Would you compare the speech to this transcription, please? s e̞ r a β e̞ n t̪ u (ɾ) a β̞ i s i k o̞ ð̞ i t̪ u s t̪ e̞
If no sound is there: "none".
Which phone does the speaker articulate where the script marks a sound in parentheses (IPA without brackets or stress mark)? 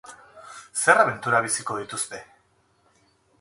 ɾ